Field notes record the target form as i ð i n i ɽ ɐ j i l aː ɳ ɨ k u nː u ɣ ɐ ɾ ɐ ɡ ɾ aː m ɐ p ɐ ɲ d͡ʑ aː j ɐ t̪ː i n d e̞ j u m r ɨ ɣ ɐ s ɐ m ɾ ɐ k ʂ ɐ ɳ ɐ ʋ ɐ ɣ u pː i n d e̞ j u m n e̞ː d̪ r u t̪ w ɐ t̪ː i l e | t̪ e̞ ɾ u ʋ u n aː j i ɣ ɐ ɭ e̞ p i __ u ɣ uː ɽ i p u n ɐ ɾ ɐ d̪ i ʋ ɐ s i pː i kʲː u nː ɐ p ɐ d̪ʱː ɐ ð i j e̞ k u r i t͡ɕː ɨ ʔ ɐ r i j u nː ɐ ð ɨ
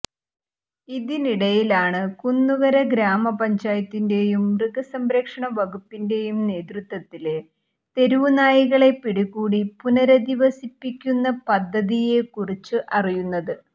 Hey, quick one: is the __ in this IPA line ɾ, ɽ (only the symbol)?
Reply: ɽ